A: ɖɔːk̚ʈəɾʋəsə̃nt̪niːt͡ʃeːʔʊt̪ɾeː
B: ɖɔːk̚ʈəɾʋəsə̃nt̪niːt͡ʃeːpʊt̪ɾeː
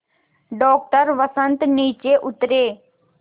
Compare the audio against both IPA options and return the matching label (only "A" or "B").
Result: A